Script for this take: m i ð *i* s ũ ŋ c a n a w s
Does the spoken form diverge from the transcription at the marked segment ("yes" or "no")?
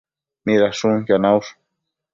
yes